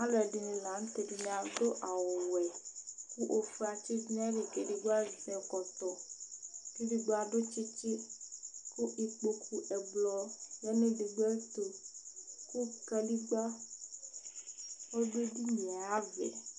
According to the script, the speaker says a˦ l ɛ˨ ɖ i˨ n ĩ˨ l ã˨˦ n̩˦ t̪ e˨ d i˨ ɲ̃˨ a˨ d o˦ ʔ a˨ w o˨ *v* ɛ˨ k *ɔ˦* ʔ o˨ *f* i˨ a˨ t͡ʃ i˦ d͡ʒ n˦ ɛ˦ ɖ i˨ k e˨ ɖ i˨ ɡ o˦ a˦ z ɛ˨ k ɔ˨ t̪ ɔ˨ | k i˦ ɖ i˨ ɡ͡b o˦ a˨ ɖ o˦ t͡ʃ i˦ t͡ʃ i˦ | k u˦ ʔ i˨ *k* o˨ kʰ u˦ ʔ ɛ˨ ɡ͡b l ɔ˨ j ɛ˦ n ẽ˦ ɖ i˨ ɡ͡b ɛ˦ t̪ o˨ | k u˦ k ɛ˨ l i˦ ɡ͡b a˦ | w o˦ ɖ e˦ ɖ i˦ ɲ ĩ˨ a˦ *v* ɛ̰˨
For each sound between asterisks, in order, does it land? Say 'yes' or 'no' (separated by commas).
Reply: no, no, yes, no, yes